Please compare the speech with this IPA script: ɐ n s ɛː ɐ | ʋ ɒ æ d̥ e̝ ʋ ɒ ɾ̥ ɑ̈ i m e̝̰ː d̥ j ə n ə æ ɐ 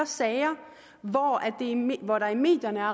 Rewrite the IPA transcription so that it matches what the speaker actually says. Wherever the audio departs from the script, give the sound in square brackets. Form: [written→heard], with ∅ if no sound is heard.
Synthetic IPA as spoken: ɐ [n→∅] s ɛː ɐ | ʋ ɒ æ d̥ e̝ ʋ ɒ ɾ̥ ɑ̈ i m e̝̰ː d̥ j [ə→ɐ] n ə æ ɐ